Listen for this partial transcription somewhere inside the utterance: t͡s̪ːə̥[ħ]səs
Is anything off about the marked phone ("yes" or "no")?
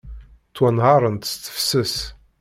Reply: yes